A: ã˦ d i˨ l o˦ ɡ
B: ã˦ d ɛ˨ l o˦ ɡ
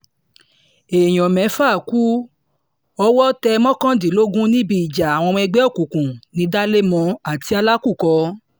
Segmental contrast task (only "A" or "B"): A